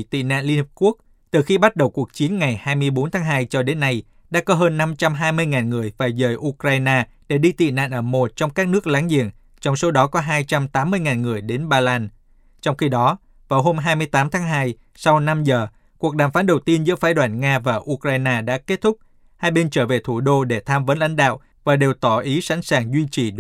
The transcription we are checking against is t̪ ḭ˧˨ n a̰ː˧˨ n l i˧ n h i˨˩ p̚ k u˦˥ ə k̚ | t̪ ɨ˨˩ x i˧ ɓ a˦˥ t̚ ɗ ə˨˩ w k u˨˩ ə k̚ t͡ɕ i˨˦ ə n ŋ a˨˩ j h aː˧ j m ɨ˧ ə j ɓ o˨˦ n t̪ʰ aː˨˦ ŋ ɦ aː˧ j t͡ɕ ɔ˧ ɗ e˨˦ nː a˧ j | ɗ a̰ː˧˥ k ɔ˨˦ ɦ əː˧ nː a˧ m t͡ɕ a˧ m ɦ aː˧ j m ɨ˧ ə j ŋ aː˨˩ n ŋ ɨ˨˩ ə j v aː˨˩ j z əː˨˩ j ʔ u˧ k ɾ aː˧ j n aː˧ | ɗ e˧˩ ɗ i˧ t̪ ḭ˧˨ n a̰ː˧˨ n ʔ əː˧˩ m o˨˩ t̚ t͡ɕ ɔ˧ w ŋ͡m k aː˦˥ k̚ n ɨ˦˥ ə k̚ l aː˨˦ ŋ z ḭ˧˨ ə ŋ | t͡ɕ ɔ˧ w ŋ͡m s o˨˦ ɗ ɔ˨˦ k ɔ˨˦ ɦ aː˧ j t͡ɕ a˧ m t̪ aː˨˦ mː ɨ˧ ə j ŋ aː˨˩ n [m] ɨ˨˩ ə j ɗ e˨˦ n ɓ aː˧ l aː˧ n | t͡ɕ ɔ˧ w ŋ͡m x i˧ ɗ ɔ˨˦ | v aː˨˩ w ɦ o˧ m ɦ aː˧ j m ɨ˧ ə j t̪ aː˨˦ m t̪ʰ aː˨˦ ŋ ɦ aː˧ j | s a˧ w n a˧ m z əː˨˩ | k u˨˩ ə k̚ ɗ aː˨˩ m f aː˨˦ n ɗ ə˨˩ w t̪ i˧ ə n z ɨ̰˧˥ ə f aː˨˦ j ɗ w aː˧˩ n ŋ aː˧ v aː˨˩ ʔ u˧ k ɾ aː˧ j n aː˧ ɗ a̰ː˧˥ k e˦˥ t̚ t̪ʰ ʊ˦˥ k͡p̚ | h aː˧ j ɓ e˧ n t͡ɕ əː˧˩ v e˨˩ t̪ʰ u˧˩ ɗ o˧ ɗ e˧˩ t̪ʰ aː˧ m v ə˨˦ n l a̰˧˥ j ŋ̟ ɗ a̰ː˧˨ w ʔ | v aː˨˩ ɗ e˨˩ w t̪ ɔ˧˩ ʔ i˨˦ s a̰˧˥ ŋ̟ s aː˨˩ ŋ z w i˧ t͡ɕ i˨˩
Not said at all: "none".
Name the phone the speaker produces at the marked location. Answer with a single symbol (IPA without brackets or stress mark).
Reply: ŋ